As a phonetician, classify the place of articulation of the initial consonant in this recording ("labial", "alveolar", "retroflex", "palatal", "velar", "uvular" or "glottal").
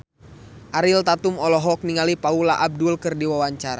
glottal